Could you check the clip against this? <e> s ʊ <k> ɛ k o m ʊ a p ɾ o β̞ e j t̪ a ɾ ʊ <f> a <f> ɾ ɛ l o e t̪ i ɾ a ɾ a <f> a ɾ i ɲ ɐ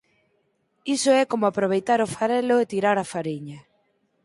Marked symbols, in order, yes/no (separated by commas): no, no, yes, no, yes